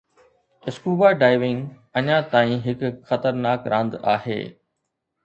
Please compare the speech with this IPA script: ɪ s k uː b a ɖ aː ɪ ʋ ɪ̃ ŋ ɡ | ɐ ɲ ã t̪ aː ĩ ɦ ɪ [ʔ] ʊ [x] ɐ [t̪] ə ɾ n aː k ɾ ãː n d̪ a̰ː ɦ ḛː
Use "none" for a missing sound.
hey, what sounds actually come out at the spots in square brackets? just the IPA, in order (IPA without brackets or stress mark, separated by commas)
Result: k, x, t̪